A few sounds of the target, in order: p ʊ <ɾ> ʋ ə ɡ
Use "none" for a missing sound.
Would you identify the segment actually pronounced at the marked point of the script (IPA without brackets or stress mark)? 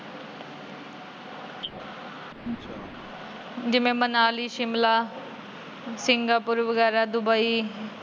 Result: ɾ